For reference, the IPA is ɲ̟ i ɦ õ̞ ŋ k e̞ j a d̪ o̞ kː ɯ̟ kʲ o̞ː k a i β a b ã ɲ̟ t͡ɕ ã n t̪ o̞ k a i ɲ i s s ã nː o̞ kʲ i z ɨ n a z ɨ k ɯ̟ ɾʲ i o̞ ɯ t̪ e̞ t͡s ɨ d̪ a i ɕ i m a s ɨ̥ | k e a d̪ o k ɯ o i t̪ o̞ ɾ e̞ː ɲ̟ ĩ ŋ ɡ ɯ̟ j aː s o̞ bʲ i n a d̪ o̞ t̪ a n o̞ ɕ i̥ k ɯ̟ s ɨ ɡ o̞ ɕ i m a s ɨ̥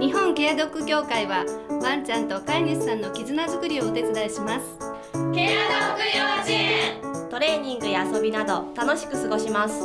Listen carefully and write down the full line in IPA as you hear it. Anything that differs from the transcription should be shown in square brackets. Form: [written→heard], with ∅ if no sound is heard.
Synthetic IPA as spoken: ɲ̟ i ɦ õ̞ ŋ k e̞ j a d̪ o̞ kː ɯ̟ kʲ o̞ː k a i β a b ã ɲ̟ t͡ɕ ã n t̪ o̞ k a i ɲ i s s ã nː o̞ kʲ i z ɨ n a z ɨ k ɯ̟ ɾʲ i o̞ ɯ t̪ e̞ t͡s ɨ d̪ a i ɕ i m a s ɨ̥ | k e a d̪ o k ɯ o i t̪ o̞ ɾ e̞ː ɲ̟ ĩ ŋ ɡ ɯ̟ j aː s o̞ bʲ i n a d̪ o̞ t̪ a n o̞ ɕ i̥ k ɯ̟ s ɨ ɡ o̞ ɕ i m a s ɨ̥